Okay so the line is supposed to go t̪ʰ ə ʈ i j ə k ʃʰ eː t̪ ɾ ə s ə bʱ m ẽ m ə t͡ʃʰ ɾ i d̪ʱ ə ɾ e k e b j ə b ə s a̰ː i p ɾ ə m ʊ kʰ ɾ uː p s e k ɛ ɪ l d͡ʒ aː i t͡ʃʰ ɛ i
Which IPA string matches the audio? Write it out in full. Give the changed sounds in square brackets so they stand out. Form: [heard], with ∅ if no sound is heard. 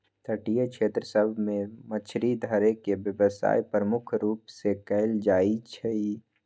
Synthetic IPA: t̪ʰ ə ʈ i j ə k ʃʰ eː t̪ ɾ ə s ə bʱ m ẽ m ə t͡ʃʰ ɾ i d̪ʱ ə ɾ e k e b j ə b ə s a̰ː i p ɾ ə m ʊ kʰ ɾ uː p s e k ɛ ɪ l d͡ʒ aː i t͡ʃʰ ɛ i